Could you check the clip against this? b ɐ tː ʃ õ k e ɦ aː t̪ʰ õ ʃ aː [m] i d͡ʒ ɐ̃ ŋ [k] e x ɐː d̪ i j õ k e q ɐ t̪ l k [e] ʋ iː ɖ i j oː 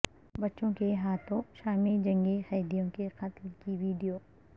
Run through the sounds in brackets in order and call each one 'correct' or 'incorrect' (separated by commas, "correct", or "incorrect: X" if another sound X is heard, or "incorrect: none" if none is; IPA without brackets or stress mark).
correct, incorrect: ɡ, incorrect: i